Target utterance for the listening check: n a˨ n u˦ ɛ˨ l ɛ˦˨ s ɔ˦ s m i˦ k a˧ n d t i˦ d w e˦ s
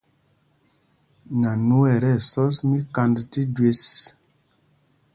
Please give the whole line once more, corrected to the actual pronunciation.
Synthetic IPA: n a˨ n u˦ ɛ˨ ɾ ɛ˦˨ s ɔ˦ s m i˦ k a˧ n d t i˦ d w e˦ s